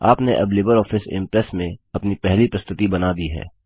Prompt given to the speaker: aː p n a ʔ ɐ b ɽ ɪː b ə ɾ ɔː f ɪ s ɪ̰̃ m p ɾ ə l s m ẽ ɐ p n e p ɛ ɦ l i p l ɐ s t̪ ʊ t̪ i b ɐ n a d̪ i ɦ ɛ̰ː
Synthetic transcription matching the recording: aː p n e ʔ ɐ b l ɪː b ə ɾ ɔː f ɪ s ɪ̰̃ m p ɾ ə s m ẽ ɐ p n i p ɛ ɦ l i p ɾ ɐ s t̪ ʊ t̪ i b ɐ n a d̪ i ɦ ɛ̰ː